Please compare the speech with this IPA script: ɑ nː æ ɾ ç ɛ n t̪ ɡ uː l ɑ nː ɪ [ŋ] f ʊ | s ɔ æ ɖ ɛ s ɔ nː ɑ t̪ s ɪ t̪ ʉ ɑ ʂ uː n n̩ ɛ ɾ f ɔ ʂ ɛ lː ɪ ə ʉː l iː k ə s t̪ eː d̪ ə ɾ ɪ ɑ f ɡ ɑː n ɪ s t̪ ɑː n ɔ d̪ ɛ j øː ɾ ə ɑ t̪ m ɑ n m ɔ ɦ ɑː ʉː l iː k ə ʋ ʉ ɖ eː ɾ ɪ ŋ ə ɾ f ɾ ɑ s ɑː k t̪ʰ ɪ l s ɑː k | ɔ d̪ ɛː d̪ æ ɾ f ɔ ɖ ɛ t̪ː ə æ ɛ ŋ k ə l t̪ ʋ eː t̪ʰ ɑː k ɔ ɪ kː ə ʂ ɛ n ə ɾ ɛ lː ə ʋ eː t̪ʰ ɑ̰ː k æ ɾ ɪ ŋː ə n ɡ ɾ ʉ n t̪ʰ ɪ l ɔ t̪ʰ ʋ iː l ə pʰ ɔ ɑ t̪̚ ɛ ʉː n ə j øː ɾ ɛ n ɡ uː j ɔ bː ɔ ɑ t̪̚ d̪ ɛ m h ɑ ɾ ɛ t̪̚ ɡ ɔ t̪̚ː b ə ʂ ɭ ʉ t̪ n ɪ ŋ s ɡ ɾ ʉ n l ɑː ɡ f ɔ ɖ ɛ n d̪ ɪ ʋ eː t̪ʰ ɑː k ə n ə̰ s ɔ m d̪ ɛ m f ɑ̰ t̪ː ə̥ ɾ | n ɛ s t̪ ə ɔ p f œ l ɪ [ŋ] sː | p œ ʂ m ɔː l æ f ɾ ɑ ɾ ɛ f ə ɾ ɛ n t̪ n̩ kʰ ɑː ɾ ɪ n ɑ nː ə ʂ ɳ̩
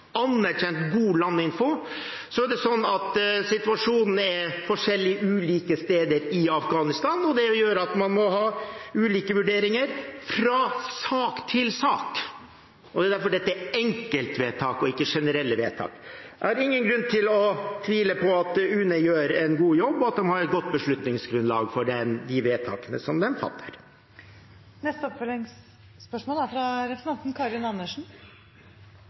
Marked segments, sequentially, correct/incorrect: incorrect: n, correct

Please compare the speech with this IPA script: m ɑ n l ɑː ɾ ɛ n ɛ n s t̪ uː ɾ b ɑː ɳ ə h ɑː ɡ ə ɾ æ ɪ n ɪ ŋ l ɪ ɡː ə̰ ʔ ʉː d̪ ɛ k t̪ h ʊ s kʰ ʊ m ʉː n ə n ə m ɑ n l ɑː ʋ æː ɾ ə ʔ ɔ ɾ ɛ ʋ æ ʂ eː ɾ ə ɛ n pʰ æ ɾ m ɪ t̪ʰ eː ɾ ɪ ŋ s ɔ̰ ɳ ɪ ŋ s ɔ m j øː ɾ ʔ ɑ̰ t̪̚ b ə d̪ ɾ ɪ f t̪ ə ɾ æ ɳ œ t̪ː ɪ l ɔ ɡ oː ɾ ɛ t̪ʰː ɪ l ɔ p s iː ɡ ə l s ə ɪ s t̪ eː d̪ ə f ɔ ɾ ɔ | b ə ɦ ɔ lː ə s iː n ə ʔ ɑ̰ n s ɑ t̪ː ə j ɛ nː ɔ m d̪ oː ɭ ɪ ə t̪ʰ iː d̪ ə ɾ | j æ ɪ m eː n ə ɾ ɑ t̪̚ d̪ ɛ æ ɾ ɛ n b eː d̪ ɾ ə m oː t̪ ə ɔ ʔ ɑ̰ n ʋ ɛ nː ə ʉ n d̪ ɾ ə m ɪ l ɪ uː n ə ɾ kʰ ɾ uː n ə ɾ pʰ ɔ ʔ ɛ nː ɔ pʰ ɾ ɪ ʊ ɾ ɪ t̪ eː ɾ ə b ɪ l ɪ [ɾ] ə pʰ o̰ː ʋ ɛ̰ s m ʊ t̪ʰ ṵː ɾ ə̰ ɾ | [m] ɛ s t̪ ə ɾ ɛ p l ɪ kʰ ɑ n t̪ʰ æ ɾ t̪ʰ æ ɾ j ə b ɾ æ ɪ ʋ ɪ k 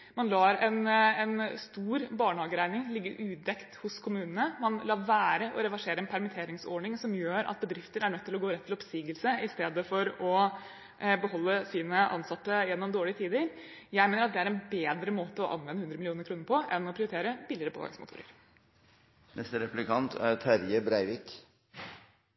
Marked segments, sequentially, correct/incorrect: correct, incorrect: n

